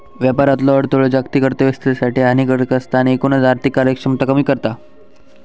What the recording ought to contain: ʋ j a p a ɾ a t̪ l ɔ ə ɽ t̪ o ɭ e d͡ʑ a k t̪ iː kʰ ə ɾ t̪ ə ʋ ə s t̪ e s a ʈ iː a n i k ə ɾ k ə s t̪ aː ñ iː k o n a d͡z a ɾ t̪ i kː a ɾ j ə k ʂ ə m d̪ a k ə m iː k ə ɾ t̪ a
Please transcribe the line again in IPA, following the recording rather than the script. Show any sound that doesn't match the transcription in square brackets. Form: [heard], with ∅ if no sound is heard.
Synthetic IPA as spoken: ʋ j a p a ɾ a t̪ l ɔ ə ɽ t̪ o ɭ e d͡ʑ a k t̪ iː [k] ə ɾ t̪ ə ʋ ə s t̪ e s a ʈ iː a n i k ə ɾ k ə s t̪ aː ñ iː k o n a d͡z a ɾ t̪ i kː a ɾ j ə k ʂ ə m [t̪] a k ə m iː k ə ɾ t̪ a